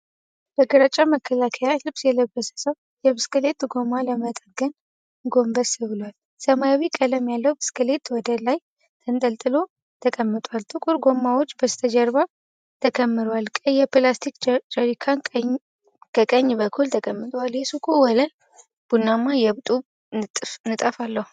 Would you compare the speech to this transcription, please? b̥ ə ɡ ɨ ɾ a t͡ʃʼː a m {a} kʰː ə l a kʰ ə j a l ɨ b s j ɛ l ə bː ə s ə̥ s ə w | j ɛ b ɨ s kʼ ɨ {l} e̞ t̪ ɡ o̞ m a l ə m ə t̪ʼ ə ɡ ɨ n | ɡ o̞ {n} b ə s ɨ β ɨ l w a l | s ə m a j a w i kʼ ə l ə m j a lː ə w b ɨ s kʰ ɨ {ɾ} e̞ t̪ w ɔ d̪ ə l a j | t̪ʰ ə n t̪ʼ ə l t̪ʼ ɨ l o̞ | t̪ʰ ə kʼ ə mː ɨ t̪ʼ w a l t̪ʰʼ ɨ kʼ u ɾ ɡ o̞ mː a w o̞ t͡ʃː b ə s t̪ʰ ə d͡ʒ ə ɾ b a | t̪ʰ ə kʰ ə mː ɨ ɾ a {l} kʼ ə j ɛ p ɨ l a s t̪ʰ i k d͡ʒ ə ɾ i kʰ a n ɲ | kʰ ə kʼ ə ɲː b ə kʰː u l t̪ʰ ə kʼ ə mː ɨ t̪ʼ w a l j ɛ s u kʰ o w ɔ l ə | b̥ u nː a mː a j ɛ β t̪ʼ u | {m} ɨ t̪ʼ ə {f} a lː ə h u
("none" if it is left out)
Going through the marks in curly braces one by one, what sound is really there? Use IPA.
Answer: ə, l, m, l, l, n, f

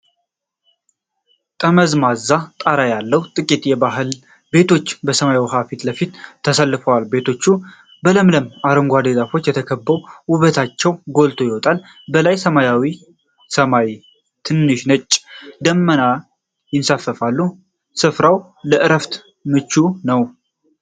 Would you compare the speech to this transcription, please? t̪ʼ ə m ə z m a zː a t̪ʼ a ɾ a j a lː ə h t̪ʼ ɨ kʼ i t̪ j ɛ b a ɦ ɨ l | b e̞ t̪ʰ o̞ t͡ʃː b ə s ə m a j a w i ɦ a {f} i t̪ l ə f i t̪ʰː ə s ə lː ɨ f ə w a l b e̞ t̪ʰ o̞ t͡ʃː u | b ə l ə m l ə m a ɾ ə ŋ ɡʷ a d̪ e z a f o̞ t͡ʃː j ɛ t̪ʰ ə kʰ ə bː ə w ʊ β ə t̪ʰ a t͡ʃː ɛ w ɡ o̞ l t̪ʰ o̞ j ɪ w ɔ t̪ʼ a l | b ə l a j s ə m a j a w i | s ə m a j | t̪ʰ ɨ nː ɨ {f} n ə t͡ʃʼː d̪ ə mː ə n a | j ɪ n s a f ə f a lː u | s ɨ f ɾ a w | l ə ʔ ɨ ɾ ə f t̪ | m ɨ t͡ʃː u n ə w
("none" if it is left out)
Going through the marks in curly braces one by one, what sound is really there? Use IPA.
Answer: f, ʃ

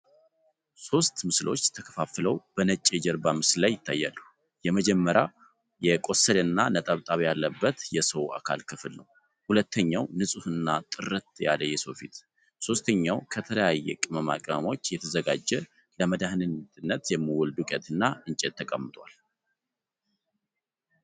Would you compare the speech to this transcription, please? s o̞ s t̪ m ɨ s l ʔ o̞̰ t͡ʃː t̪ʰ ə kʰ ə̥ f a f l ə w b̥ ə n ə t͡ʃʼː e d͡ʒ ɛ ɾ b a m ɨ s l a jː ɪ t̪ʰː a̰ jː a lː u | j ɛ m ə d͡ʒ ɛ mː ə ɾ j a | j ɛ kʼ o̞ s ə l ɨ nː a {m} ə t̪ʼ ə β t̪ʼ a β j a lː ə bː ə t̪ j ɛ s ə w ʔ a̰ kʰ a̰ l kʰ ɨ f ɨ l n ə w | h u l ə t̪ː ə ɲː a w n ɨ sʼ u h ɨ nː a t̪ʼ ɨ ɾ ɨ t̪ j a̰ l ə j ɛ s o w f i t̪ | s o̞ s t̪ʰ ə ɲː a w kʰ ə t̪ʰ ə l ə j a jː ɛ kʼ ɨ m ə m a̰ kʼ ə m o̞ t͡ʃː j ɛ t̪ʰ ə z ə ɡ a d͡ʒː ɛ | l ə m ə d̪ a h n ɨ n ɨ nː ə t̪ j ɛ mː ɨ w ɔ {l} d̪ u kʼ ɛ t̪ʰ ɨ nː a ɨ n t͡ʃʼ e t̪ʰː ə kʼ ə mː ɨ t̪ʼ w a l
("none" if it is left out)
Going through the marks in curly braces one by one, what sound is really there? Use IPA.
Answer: n, l

